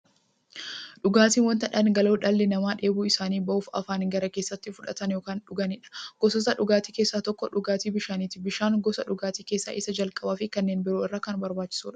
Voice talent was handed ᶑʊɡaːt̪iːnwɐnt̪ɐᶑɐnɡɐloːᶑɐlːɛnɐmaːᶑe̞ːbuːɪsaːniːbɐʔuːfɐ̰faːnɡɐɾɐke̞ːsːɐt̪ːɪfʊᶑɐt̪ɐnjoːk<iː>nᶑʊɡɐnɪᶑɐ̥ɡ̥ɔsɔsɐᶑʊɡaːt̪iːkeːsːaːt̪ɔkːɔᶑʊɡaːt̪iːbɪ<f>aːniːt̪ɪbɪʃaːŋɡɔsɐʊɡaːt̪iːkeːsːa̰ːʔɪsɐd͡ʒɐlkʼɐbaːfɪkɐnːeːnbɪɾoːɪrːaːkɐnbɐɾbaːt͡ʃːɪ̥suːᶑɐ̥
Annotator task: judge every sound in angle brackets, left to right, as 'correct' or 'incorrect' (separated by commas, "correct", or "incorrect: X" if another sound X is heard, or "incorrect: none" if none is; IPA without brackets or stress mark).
incorrect: aː, incorrect: ʃ